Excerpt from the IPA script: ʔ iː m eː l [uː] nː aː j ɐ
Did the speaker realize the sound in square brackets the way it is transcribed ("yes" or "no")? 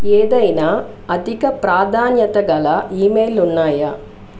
no